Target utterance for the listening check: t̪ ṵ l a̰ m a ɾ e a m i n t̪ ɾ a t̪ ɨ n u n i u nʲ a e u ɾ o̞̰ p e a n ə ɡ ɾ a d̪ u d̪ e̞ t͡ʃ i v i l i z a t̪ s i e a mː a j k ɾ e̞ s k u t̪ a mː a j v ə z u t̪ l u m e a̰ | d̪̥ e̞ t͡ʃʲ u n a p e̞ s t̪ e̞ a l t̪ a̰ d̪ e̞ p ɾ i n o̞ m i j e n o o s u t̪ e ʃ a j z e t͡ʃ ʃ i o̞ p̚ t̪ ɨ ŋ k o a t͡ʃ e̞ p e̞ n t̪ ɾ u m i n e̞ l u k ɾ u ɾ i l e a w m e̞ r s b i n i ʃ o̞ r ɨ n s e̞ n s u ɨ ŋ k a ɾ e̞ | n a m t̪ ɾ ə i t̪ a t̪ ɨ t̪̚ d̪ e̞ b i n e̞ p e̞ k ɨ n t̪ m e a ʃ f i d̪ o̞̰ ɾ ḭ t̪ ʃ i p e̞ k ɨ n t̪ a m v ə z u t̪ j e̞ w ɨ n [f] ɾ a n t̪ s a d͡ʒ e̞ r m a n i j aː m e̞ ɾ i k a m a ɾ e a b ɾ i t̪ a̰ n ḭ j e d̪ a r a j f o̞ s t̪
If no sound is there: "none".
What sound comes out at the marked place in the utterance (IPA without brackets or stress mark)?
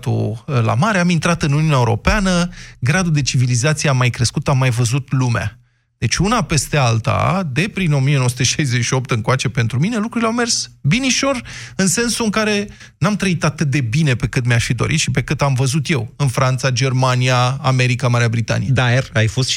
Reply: f